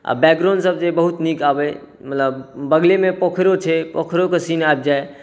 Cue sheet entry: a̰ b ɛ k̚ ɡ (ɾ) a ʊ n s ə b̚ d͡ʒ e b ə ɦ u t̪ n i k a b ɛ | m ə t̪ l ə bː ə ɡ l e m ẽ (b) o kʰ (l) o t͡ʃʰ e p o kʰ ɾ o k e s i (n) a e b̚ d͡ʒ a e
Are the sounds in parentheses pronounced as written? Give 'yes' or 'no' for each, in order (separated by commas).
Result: yes, no, no, yes